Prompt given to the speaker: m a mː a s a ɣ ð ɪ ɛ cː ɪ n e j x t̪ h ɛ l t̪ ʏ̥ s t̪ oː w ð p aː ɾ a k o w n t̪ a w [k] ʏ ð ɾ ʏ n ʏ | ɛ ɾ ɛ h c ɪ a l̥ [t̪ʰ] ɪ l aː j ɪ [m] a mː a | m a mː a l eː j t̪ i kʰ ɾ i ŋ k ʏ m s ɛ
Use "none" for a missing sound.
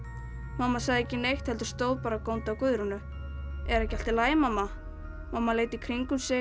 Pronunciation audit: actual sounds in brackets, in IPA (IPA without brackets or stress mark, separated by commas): k, t̪, m